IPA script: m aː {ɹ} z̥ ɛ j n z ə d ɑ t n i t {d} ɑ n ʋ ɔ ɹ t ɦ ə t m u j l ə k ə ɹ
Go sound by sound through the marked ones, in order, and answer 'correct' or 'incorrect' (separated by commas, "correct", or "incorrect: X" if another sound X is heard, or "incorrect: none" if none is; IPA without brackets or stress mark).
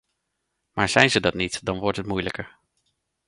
correct, correct